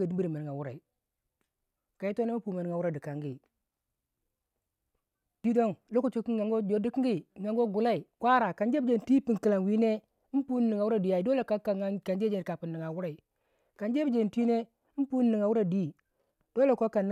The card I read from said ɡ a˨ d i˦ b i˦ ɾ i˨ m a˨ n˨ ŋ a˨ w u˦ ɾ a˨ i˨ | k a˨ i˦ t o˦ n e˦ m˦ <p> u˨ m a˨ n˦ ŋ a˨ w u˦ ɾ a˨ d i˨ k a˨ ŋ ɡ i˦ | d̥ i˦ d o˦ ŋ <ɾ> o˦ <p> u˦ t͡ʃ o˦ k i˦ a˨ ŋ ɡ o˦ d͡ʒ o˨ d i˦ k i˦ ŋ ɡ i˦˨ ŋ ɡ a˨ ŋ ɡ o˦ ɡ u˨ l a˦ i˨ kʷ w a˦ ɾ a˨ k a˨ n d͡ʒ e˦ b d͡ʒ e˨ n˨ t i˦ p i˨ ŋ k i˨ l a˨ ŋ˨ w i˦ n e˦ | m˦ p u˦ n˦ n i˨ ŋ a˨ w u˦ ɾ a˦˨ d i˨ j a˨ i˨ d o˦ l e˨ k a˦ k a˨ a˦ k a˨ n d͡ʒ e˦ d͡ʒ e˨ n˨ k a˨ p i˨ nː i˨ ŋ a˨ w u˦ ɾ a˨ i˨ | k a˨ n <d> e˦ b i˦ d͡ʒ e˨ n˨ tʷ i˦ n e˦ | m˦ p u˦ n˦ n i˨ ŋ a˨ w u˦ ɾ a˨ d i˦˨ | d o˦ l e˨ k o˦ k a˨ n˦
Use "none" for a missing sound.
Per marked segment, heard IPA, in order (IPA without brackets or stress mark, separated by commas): p, l, k, d͡ʒ